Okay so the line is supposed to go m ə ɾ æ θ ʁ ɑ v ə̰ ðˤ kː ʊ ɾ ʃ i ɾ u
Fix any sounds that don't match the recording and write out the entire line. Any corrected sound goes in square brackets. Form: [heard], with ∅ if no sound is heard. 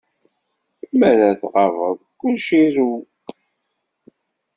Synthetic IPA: m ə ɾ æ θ ʁ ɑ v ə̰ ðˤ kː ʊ [l] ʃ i ɾ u